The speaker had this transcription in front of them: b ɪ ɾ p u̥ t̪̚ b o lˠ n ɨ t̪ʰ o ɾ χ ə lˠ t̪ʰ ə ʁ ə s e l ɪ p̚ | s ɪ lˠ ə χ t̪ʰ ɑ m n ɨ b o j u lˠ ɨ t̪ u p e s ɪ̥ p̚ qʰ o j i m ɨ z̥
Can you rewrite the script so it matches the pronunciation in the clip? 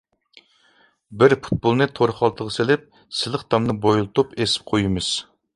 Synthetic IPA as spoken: b ɪ ɾ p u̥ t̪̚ b o lˠ n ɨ t̪ʰ o ɾ χ ɑ lˠ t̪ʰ ə ʁ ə s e l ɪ p̚ | s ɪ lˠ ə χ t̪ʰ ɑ m n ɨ b o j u lˠ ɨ t̪ u p e s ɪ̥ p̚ qʰ o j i m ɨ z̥